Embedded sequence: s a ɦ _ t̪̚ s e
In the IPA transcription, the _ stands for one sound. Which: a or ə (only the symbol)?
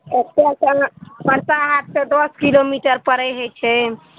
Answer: a